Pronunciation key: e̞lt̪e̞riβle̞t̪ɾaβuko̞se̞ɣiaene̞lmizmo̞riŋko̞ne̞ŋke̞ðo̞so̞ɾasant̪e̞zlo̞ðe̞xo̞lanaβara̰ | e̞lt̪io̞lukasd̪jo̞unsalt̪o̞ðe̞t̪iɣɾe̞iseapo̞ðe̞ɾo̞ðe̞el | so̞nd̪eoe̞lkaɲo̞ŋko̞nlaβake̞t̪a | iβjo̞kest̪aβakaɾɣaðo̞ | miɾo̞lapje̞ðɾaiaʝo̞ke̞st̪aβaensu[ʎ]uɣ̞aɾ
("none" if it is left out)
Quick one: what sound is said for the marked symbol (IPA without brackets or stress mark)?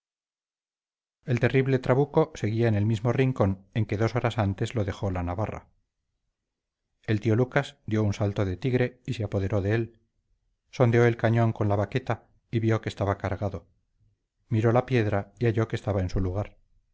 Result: l